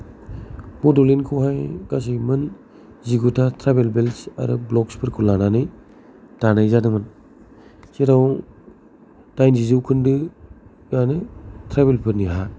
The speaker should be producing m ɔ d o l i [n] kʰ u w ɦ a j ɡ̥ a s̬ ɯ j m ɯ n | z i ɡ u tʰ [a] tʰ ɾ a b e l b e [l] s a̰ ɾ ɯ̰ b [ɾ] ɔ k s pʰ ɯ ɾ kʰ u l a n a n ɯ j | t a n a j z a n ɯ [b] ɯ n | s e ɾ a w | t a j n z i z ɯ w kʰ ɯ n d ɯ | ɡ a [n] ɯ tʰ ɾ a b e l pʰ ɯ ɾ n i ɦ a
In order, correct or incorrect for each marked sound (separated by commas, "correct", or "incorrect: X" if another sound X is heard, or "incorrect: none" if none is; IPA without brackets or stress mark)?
correct, correct, correct, incorrect: l, incorrect: m, correct